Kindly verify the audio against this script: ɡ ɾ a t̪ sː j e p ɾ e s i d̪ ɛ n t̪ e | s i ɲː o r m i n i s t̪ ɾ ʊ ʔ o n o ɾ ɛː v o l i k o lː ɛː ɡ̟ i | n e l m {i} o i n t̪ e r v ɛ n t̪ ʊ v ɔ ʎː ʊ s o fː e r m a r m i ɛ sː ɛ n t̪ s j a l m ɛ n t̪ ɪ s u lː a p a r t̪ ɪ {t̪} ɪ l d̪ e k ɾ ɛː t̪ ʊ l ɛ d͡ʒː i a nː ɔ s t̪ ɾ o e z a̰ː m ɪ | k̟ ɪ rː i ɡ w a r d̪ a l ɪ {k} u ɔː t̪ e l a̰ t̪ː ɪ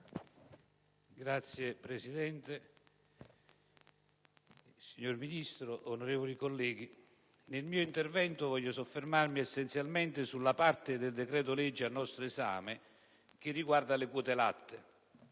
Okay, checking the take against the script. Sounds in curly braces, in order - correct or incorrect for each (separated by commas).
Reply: incorrect, incorrect, correct